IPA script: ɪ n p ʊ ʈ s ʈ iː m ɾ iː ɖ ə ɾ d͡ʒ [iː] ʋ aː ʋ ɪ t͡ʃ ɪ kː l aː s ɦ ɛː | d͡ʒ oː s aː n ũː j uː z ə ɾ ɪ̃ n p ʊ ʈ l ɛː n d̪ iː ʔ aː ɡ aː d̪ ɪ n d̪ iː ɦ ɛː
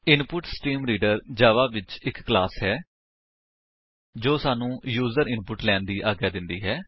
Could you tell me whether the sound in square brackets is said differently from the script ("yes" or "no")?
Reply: yes